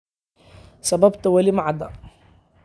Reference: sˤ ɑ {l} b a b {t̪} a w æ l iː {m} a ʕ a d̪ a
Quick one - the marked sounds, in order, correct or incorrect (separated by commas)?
incorrect, correct, correct